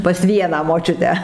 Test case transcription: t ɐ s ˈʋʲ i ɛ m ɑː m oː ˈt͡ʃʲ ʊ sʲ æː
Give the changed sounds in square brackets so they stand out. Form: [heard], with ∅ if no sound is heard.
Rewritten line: [p] ɐ s ˈʋʲ i ɛ [n] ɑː m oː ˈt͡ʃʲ ʊ [tʲ] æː